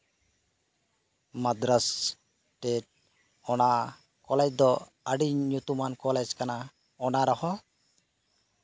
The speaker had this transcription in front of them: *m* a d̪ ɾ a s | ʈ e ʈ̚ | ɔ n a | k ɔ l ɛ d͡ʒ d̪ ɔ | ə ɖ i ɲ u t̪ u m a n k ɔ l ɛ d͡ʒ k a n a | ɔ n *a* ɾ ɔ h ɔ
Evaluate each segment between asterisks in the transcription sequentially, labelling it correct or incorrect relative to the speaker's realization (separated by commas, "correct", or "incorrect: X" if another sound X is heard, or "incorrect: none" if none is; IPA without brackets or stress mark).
correct, correct